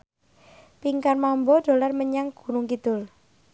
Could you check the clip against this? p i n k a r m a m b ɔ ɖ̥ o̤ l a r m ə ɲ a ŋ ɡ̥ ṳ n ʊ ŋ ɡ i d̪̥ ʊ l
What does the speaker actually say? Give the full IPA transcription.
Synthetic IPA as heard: p i ŋ k a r m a m b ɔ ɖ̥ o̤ l a r m ə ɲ a ŋ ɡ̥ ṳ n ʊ ŋ k i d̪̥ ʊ l